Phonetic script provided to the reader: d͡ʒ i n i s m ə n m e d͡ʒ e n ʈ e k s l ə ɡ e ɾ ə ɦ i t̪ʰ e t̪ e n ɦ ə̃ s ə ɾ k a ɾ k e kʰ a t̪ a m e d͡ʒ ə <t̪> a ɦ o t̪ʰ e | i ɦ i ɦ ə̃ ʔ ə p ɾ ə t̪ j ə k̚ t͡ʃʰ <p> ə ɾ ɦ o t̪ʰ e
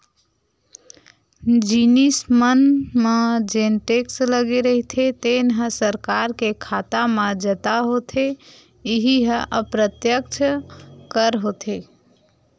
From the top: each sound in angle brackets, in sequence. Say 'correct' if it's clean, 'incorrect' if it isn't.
correct, incorrect: k

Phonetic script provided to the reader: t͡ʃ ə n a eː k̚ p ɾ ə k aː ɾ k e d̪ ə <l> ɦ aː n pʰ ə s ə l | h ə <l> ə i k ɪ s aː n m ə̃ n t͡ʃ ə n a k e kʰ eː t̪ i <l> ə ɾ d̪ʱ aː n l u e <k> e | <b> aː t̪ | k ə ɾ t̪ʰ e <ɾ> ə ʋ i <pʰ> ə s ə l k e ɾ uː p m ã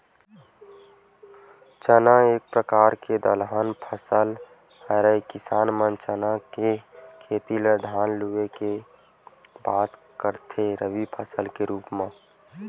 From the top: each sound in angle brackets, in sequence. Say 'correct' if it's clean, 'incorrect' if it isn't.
correct, incorrect: ɾ, correct, correct, correct, correct, correct

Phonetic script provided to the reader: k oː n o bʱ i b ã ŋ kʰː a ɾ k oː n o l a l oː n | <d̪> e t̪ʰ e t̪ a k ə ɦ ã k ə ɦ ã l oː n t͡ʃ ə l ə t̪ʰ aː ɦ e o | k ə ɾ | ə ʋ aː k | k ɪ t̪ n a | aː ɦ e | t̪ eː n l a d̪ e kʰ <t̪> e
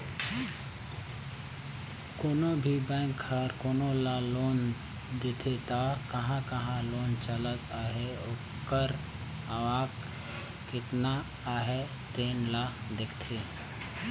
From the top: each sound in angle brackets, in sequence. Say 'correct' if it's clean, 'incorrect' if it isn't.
correct, incorrect: t̪ʰ

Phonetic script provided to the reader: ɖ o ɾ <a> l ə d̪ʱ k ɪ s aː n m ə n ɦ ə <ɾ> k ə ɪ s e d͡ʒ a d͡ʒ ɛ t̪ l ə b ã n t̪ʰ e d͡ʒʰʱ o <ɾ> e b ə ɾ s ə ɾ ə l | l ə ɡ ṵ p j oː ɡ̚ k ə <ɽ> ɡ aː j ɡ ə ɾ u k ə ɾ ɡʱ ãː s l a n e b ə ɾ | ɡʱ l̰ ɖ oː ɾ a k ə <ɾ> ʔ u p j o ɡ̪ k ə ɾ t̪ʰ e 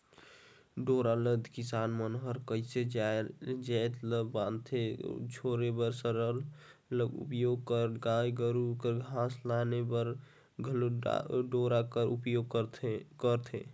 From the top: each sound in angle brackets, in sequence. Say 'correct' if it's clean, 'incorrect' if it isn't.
correct, correct, correct, incorrect: ɾ, correct

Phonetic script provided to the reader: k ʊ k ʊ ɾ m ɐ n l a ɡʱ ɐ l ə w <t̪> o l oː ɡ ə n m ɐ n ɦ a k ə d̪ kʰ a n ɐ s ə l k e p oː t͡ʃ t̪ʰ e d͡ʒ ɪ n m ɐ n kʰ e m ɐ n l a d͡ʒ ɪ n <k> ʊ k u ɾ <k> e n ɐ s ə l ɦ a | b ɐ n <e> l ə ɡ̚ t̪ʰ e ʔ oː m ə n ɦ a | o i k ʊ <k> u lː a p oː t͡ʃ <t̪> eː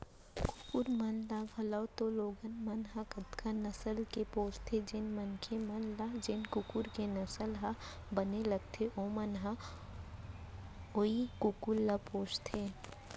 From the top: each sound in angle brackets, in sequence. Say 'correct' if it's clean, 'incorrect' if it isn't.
correct, correct, correct, correct, correct, incorrect: t̪ʰ

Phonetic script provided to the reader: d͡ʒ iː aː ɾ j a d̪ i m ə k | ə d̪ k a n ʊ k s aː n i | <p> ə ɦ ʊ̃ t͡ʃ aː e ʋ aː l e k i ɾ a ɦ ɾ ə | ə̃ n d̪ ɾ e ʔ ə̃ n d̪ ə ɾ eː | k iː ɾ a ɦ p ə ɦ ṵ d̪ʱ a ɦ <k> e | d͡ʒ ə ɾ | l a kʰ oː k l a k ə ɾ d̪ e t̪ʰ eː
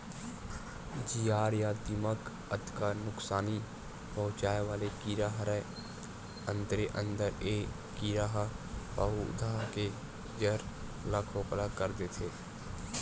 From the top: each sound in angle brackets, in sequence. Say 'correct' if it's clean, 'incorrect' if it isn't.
correct, correct

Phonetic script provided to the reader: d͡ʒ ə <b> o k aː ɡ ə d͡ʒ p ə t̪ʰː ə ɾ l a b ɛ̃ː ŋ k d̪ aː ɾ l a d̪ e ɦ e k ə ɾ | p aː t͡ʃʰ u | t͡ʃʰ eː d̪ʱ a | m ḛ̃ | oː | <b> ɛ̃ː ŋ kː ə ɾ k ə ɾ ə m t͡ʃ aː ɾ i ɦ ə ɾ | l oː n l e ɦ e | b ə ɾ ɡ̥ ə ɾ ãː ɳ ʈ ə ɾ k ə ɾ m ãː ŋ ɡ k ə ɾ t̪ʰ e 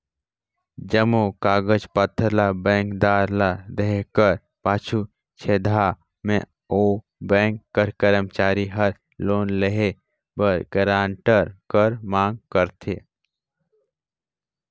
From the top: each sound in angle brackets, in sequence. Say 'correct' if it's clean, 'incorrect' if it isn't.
incorrect: m, correct

